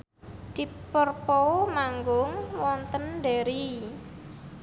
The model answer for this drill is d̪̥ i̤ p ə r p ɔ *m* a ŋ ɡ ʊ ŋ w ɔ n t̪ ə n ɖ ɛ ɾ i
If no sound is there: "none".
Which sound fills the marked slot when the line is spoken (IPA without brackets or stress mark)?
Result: m